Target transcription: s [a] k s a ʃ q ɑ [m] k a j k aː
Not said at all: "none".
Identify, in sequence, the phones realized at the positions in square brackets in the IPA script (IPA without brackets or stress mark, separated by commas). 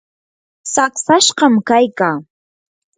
a, m